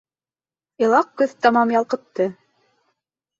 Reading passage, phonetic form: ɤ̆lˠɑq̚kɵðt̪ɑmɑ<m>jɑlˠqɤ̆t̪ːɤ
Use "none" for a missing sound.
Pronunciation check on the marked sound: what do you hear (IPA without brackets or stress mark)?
m